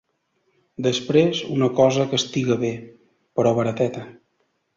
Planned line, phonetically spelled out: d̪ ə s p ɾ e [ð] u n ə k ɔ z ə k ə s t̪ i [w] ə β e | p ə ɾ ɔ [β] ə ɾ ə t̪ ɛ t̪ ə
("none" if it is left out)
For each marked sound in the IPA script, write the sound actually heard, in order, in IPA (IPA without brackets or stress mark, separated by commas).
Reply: z, ɣ, β